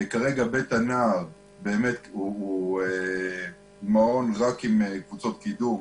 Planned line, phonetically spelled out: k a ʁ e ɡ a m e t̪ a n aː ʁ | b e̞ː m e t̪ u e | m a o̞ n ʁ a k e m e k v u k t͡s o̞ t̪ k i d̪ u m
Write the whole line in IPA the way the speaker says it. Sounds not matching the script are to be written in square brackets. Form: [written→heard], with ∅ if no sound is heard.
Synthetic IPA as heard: k a ʁ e ɡ a [m→b] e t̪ a n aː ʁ | b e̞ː m e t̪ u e | m a o̞ n ʁ a k [e→i] m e k v u [k→∅] t͡s o̞ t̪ k i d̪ u m